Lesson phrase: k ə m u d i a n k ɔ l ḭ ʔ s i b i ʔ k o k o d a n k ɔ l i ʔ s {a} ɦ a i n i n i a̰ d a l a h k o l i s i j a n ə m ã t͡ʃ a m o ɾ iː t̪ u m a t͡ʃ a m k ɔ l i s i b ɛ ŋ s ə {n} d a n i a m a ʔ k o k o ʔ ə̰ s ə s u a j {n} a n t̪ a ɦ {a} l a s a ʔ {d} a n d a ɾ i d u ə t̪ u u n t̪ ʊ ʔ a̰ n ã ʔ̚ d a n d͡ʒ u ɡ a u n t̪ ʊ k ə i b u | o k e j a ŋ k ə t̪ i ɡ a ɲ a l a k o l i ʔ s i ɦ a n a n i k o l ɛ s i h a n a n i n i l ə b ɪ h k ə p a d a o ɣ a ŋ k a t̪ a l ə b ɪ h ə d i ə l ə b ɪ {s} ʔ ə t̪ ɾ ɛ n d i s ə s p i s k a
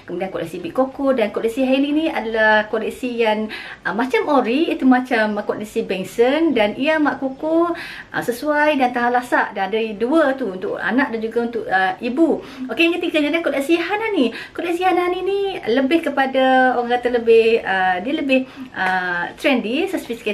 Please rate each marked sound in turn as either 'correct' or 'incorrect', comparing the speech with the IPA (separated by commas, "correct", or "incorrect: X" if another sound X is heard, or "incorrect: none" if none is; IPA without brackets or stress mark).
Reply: incorrect: i, correct, incorrect: d, correct, correct, incorrect: h